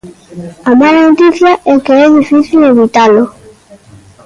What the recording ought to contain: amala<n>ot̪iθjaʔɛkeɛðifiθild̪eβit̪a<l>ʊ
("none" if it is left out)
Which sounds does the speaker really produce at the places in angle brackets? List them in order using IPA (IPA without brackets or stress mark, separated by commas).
n, l